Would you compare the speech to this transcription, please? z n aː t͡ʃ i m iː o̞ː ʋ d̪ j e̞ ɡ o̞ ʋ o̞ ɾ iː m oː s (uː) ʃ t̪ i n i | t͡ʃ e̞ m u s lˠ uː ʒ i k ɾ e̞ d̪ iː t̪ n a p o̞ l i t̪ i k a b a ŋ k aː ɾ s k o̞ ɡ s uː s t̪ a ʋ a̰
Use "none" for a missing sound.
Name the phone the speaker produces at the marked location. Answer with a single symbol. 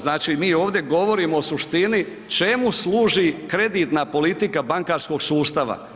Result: u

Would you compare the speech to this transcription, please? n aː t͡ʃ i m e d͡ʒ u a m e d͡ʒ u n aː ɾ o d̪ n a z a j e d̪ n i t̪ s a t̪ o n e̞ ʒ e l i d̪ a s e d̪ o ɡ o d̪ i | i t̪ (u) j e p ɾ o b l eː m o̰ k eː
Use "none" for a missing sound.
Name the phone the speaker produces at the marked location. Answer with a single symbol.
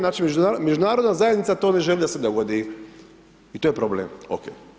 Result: o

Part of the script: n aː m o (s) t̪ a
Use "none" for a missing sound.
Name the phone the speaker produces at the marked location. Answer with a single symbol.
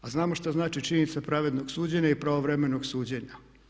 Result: ʃ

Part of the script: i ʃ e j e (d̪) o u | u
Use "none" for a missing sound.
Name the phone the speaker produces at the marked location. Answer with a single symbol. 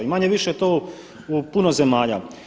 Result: t̪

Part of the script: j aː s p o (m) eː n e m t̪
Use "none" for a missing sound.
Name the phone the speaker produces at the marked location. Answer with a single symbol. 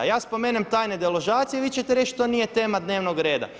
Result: m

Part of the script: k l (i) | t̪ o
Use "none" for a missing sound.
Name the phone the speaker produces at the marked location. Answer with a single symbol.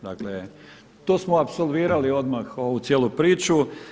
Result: e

